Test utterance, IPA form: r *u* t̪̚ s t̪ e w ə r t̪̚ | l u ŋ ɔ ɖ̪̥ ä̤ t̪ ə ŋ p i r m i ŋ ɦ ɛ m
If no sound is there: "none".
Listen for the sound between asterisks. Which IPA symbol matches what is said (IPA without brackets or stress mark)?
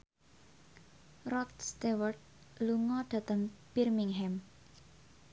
ɔ